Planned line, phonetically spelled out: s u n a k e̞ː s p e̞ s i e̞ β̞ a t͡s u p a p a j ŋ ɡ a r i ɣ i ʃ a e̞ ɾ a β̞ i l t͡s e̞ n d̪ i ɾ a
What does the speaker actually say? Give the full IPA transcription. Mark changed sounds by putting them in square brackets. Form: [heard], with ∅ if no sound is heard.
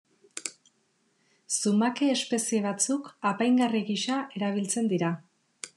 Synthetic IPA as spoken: s u [m] a k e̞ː s p e̞ s i e̞ β̞ a t͡s u [k] a p a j ŋ ɡ a r i ɣ i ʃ a e̞ ɾ a β̞ i l t͡s e̞ n d̪ i ɾ a